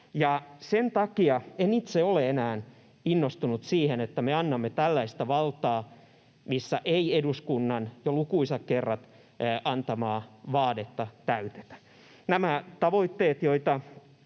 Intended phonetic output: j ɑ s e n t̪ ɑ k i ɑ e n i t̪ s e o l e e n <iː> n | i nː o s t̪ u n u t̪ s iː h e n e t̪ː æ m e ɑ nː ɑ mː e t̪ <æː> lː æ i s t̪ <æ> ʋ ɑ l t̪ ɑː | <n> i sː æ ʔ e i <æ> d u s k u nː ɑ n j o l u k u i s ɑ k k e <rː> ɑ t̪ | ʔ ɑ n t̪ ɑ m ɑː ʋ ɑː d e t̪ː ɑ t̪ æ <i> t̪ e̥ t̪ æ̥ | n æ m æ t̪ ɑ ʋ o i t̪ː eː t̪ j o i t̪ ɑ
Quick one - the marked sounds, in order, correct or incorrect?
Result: incorrect: æː, incorrect: æ, correct, incorrect: m, incorrect: e, correct, incorrect: y

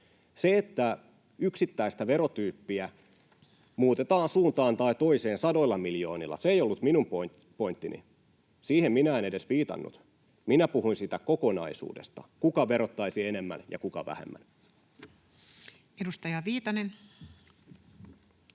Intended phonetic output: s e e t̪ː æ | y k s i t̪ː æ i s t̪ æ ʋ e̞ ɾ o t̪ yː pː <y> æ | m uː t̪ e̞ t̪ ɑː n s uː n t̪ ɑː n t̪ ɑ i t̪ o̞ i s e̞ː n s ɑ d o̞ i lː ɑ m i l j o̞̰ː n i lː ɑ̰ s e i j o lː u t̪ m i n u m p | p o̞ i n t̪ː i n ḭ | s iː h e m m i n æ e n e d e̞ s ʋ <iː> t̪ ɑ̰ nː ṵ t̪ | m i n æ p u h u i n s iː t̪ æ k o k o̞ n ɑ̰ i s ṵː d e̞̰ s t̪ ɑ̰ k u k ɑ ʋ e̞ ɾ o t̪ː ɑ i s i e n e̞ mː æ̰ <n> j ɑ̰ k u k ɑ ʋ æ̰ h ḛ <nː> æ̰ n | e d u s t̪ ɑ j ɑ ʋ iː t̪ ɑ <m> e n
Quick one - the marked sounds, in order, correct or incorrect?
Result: incorrect: i, correct, correct, incorrect: mː, incorrect: n

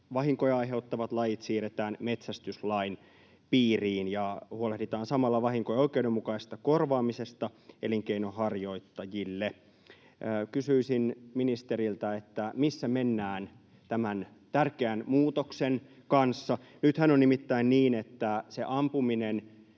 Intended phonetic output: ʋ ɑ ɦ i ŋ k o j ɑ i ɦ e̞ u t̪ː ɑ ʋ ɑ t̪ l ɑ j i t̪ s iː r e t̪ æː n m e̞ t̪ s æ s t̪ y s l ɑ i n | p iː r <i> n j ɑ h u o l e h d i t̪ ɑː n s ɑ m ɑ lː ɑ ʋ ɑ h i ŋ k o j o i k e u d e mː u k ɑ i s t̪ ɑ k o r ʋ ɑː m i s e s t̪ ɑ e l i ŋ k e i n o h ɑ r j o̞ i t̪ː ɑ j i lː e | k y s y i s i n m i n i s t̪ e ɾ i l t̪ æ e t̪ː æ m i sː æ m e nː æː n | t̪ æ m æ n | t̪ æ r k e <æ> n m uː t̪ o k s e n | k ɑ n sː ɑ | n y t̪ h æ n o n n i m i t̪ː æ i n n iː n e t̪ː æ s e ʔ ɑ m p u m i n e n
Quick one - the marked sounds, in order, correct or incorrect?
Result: incorrect: iː, correct

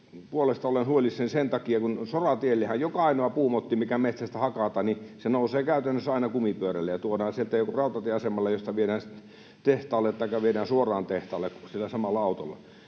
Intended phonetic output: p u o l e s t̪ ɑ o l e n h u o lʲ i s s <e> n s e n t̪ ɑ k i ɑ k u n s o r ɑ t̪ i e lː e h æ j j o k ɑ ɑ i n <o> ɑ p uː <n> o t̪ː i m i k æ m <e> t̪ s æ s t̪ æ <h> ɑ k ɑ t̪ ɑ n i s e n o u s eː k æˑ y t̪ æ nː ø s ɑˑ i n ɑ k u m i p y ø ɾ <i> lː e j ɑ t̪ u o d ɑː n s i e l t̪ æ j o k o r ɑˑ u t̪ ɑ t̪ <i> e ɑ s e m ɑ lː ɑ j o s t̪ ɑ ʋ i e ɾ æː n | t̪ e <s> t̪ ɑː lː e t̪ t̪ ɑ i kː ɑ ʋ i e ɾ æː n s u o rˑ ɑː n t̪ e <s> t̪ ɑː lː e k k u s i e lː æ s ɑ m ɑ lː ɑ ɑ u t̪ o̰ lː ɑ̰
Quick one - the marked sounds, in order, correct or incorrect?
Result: correct, correct, incorrect: m, correct, correct, incorrect: æ, correct, incorrect: h, incorrect: h

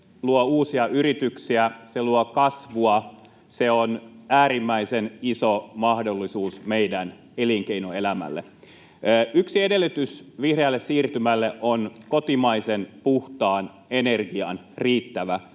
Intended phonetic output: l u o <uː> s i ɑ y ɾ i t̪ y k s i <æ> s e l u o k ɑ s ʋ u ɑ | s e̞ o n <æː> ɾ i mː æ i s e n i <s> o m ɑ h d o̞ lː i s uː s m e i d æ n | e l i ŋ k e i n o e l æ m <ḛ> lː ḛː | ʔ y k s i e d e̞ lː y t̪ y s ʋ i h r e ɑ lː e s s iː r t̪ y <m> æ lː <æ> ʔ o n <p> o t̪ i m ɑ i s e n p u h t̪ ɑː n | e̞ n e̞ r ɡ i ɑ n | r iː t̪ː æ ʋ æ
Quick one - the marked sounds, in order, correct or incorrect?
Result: correct, correct, correct, correct, incorrect: æ̰, correct, incorrect: e, incorrect: k

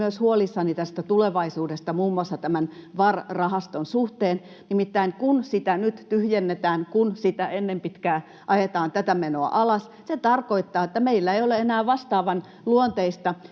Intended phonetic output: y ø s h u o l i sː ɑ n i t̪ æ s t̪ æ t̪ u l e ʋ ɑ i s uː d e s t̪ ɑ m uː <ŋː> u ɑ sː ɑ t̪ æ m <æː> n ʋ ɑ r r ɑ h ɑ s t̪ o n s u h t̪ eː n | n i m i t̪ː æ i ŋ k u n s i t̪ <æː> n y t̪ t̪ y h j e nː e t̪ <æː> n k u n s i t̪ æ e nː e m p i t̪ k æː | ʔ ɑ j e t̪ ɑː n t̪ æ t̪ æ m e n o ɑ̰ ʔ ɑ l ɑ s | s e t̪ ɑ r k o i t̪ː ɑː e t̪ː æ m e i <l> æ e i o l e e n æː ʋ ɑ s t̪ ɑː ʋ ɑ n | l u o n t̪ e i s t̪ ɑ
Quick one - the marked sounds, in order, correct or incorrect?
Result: incorrect: mː, incorrect: æ, incorrect: æ, correct, incorrect: lː

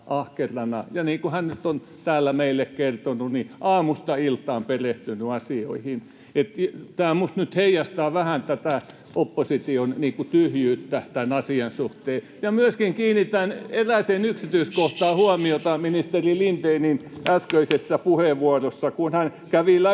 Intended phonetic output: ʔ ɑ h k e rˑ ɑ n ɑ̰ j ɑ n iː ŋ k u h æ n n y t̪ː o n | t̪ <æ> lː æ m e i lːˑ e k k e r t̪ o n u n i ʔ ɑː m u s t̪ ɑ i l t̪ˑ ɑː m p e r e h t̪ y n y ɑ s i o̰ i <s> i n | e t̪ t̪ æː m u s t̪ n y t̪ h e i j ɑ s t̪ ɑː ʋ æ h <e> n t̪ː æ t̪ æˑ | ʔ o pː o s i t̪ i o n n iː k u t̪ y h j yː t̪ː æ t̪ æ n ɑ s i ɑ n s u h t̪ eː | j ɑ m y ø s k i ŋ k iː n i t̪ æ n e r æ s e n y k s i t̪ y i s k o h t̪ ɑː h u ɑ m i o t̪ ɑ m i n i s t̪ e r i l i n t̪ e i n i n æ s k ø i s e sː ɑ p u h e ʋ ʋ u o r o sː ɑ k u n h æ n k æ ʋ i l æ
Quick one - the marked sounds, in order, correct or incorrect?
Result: incorrect: æː, incorrect: h, incorrect: æ

